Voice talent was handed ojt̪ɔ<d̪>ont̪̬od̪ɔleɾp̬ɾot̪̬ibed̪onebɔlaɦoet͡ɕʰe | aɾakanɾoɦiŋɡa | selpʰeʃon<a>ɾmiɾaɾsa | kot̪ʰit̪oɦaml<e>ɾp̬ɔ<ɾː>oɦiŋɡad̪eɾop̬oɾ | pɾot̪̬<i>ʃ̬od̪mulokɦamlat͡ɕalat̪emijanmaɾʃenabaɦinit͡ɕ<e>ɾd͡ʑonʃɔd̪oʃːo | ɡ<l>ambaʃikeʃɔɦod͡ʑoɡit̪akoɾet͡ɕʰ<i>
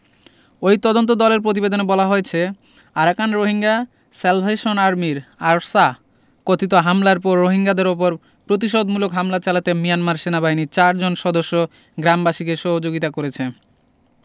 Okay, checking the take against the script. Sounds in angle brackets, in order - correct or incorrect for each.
correct, correct, incorrect, correct, correct, incorrect, incorrect, incorrect

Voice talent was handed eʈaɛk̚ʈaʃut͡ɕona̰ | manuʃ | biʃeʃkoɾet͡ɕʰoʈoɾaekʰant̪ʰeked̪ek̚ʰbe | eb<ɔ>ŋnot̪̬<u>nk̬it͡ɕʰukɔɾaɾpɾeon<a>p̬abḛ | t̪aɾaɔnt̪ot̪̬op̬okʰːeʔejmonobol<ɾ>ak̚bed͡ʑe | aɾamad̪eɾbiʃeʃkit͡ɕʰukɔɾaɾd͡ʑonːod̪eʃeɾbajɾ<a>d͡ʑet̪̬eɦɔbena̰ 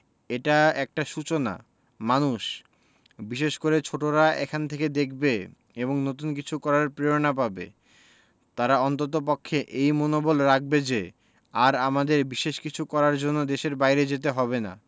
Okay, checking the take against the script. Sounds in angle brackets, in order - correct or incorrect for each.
incorrect, correct, correct, correct, incorrect

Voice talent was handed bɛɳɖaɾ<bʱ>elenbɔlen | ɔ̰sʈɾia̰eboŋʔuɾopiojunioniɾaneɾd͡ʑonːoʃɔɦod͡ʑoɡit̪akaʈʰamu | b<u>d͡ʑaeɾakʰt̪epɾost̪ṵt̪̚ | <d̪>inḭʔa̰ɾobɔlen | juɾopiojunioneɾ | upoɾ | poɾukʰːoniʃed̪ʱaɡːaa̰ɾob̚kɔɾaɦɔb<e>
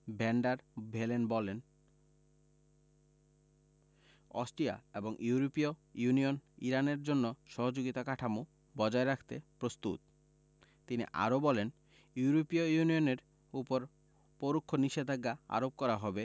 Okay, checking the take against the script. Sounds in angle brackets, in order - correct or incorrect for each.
correct, incorrect, incorrect, correct

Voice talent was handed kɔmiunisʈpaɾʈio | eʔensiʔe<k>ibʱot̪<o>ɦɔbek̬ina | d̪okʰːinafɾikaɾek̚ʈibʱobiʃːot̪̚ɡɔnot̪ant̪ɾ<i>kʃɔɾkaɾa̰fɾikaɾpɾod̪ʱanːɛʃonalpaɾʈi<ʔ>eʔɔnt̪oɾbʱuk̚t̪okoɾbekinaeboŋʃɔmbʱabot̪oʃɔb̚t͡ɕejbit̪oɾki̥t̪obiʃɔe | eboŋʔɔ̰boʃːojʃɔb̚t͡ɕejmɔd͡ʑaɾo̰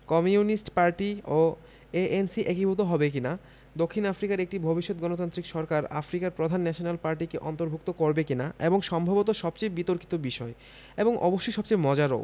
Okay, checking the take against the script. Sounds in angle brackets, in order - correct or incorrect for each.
correct, correct, correct, incorrect

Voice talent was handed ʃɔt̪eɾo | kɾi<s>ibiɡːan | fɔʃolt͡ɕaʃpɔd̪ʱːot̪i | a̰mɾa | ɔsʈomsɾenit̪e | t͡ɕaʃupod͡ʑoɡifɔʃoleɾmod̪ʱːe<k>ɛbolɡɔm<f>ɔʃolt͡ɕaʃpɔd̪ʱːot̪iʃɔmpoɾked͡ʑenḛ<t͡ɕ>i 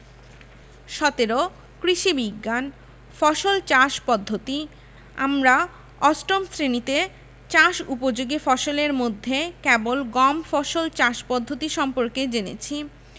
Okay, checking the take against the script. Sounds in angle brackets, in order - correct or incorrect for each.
incorrect, correct, correct, incorrect

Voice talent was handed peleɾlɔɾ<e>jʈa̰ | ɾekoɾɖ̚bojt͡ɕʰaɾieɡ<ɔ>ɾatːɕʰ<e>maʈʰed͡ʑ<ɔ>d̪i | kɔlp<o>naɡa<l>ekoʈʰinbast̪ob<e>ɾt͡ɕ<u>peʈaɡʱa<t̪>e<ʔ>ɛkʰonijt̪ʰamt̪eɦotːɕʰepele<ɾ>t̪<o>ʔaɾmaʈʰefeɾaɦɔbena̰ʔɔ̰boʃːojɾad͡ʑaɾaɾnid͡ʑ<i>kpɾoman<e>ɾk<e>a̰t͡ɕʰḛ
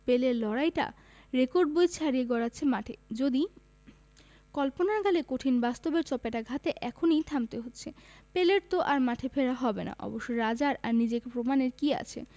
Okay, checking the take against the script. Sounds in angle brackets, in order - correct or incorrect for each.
incorrect, correct, correct, incorrect, correct, correct, correct, incorrect, correct, correct, correct, correct, incorrect, correct, incorrect

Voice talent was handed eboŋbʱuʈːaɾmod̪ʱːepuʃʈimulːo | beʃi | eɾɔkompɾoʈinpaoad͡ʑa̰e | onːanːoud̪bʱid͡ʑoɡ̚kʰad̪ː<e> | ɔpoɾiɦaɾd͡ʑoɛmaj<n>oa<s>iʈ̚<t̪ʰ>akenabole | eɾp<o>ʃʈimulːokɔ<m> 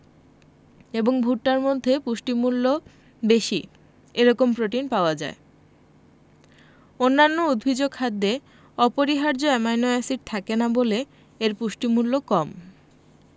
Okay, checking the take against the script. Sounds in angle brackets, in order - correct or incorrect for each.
correct, correct, correct, correct, incorrect, correct

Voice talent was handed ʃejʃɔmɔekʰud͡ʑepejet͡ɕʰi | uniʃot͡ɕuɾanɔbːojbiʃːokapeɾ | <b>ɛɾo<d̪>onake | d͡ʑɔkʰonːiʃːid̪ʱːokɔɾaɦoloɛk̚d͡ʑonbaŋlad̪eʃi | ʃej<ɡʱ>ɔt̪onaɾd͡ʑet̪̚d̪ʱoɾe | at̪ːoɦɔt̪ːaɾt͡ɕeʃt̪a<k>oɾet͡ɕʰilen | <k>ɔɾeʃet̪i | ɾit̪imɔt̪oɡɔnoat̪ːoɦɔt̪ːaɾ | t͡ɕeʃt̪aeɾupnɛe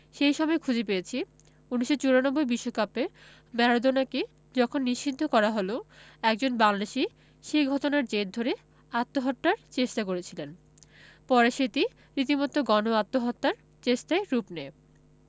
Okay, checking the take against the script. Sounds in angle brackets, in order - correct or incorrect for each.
incorrect, correct, correct, correct, incorrect

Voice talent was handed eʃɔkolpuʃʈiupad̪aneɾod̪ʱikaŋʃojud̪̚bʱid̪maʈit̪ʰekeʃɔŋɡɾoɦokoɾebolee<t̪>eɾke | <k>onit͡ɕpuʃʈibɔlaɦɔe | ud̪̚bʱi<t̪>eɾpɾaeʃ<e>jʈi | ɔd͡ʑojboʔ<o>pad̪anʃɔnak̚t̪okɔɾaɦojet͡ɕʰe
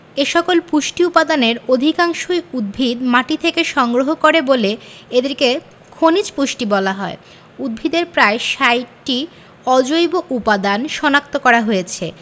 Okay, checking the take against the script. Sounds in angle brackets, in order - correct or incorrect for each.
incorrect, incorrect, incorrect, incorrect, incorrect

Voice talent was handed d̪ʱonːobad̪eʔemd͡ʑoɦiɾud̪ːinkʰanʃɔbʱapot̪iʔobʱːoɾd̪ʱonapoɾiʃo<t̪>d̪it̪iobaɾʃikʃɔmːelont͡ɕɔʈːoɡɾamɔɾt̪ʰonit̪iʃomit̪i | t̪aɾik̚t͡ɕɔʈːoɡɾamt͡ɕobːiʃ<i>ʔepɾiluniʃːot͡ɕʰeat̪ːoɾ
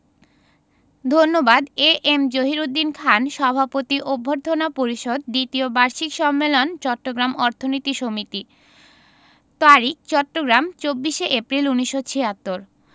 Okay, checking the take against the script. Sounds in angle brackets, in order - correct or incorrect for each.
incorrect, incorrect

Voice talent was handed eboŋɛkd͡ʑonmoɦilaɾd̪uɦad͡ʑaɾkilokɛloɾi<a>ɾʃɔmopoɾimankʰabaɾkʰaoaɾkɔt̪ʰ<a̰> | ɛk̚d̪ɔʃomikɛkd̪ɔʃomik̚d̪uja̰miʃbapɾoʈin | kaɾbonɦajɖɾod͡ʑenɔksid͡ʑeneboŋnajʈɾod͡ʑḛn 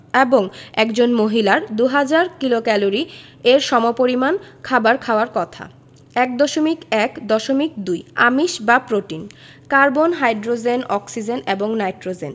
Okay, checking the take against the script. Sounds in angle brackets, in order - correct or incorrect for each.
incorrect, correct

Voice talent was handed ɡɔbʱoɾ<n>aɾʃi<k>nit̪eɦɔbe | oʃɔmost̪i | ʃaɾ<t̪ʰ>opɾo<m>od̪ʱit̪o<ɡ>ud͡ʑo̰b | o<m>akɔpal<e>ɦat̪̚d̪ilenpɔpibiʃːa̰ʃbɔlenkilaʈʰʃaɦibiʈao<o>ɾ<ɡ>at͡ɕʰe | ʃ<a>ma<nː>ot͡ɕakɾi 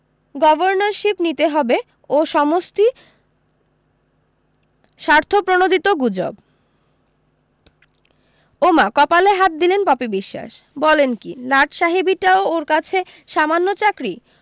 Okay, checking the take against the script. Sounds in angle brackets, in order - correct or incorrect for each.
correct, incorrect, correct, incorrect, correct, correct, correct, correct, incorrect, correct, correct

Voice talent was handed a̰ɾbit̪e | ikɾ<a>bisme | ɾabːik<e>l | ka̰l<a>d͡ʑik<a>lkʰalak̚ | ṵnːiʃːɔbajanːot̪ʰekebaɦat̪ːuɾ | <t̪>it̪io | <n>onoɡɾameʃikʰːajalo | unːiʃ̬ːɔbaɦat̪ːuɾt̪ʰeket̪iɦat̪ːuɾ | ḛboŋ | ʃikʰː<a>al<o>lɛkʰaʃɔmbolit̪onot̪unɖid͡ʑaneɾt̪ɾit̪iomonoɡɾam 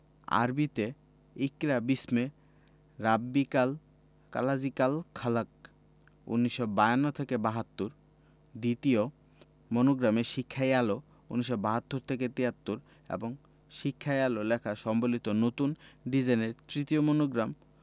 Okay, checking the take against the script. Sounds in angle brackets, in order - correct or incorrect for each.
correct, incorrect, correct, correct, incorrect, incorrect, correct, correct

